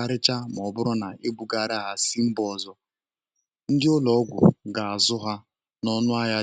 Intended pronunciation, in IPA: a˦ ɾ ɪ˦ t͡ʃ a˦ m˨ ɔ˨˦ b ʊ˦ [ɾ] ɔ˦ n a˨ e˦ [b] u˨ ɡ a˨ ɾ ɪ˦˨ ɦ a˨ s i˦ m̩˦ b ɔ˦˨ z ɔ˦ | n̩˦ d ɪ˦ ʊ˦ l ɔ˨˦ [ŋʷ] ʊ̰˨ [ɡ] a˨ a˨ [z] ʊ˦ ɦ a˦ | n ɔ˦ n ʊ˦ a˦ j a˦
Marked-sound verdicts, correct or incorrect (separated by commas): correct, correct, incorrect, correct, correct